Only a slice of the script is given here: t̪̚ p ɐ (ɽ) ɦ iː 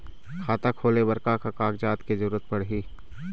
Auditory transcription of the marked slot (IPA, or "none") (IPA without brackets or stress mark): ɽ